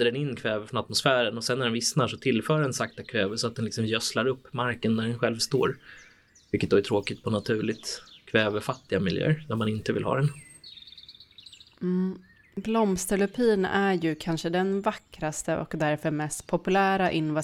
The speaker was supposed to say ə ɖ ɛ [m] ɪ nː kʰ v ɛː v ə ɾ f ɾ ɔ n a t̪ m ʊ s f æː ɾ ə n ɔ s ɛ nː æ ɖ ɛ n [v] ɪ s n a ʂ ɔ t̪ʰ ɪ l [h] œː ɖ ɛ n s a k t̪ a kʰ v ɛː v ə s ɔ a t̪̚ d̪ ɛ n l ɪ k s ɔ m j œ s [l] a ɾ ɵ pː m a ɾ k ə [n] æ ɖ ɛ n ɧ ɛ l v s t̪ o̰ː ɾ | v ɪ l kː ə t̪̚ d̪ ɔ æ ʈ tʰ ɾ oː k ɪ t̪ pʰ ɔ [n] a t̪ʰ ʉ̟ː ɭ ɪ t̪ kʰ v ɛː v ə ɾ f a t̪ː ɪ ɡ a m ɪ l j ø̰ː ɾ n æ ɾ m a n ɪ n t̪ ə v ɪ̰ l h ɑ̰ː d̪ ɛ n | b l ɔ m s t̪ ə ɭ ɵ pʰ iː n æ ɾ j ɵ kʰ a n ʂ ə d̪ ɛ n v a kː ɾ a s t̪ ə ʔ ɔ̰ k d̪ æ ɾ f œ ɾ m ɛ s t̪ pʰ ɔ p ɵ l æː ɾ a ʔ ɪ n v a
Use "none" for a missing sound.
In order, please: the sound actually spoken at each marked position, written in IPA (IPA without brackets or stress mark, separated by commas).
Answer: n, v, f, l, nː, n